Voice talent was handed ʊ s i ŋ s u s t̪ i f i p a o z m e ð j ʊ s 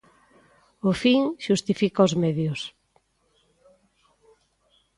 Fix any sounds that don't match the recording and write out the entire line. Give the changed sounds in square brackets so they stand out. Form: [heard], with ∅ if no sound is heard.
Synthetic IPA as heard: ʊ [f] i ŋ [ʃ] u s t̪ i f i [k] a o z m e ð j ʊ s